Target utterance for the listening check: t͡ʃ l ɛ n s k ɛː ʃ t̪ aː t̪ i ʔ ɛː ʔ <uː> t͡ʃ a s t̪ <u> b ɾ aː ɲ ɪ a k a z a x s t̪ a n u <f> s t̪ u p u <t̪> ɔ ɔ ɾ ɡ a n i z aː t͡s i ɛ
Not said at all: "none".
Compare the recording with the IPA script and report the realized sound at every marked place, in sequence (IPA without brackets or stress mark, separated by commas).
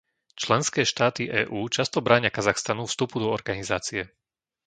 uː, ɔ, f, d̪